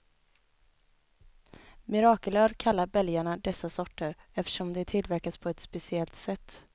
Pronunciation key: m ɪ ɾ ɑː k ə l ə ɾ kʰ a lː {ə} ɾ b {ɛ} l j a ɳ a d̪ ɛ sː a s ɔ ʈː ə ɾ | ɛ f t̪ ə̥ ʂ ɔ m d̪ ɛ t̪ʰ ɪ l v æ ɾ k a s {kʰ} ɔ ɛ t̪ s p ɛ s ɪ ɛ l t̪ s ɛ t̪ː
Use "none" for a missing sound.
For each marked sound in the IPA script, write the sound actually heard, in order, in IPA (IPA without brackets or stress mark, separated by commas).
a, ɛ, pʰ